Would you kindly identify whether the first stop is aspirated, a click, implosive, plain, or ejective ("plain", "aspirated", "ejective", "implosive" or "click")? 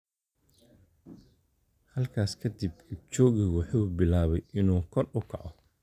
aspirated